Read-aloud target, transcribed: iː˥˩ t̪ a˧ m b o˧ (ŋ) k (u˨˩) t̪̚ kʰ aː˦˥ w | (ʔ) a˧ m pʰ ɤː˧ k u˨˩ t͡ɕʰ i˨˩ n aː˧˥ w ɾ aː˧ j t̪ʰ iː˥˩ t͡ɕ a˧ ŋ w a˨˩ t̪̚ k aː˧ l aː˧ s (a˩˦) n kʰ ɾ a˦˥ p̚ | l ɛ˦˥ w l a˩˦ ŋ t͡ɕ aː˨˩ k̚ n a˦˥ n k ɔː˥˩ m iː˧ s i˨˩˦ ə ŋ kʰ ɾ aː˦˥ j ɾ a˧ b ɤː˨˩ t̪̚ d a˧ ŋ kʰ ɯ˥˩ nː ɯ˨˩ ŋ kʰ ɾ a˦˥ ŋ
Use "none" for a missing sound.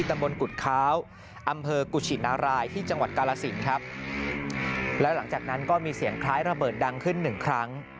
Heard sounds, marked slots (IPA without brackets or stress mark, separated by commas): n, u˨˩, ʔ, i˩˦